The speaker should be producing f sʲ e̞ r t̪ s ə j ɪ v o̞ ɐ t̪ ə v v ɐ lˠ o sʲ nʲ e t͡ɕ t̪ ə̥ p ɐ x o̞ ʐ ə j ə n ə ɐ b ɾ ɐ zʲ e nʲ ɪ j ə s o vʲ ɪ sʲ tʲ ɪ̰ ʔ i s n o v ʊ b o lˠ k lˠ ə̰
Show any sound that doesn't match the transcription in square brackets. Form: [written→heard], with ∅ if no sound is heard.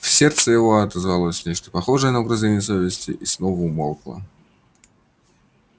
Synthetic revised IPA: f sʲ e̞ r t̪ s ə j ɪ v o̞ ɐ t̪ ə [v→z] v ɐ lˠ o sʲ nʲ e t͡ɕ t̪ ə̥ p ɐ x o̞ ʐ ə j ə n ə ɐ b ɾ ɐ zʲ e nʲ ɪ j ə s o vʲ ɪ sʲ tʲ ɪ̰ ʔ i s n o v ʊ [b→m] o lˠ k lˠ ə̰